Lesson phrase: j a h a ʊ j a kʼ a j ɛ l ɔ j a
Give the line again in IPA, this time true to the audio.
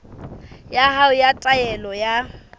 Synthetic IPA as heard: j a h a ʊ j a tʼ a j ɛ l ɔ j a